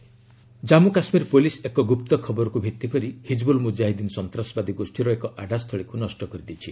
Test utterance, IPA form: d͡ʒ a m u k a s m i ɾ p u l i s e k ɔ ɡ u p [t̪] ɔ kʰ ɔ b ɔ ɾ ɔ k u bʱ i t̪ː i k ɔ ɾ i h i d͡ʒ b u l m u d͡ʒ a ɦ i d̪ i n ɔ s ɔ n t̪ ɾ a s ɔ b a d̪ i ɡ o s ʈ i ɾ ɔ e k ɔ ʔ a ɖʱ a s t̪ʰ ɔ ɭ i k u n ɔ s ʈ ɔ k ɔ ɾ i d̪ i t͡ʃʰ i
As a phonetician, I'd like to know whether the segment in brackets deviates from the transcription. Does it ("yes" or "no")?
no